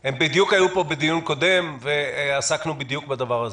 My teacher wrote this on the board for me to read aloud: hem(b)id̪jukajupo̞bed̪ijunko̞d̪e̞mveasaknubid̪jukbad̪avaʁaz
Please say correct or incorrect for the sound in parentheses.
correct